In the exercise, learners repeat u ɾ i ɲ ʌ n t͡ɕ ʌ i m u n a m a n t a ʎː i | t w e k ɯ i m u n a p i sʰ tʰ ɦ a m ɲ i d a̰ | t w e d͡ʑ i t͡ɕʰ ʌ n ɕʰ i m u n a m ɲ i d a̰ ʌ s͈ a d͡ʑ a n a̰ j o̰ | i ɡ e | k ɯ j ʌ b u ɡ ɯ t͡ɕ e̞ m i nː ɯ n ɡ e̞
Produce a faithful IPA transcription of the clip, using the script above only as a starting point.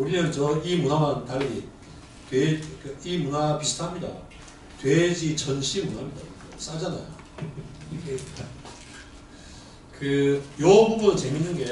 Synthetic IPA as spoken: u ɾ i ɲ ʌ n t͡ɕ ʌ i m u n a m a n t a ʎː i | t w e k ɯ i m u n a p i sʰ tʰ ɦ a m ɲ i d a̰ | t w e d͡ʑ i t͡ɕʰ ʌ n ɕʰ i m u n a m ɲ i d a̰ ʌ s͈ a d͡ʑ a n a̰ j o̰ | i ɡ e | k ɯ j ʌ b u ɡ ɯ t͡ɕ e̞ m i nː ɯ n ɡ e̞